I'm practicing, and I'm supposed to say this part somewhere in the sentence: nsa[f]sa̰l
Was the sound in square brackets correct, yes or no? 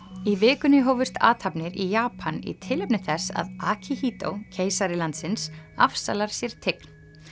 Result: yes